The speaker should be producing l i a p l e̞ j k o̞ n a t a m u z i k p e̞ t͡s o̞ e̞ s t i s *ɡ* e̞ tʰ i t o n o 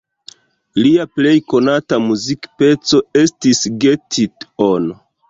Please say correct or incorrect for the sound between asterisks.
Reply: correct